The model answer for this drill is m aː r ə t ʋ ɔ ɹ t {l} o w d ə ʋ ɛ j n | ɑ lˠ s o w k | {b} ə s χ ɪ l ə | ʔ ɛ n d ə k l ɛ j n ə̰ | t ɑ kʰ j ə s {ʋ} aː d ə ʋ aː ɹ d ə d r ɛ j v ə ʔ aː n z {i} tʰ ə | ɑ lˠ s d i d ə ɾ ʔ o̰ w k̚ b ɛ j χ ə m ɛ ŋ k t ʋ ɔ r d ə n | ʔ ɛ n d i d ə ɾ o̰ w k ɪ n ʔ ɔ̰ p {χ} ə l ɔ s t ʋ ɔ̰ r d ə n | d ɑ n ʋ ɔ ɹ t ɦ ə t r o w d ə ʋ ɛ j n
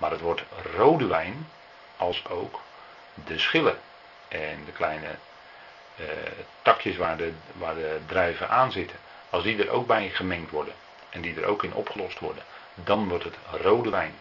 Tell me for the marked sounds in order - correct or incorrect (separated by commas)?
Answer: incorrect, incorrect, correct, incorrect, correct